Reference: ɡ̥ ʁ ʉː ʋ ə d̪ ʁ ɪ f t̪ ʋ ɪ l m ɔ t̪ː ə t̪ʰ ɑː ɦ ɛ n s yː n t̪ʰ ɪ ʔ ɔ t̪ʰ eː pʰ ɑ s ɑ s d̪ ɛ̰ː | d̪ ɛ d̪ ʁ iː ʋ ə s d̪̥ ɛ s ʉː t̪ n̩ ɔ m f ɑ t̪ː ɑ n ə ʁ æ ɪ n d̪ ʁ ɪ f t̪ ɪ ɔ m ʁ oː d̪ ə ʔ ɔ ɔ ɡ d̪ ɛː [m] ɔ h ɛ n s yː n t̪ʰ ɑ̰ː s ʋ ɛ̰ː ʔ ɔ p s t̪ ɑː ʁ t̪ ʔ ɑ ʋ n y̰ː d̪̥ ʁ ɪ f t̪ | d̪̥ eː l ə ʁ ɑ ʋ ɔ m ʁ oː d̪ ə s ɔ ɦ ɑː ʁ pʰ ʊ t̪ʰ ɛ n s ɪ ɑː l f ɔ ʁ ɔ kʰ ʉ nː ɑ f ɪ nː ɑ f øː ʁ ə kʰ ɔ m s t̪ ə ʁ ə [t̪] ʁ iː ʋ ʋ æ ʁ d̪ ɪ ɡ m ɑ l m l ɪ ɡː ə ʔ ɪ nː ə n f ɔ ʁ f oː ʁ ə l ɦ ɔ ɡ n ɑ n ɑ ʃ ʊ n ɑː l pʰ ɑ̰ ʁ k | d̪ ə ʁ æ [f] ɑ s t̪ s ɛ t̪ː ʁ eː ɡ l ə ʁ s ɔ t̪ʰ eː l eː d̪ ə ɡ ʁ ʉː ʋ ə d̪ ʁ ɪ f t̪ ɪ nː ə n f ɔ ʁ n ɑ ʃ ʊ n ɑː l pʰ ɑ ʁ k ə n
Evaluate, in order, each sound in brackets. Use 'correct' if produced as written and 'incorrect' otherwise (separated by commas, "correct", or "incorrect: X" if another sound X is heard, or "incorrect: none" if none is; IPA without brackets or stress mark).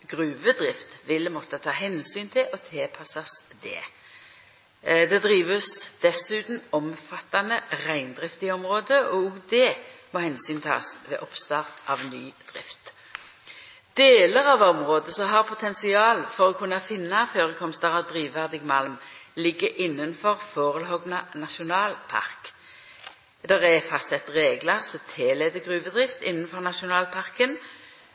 correct, incorrect: d̪, correct